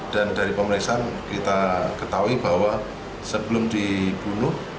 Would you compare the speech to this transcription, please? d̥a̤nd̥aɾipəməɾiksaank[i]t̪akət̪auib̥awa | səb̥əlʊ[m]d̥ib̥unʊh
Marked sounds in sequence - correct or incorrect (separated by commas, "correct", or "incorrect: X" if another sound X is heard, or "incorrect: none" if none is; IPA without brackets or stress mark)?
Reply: correct, correct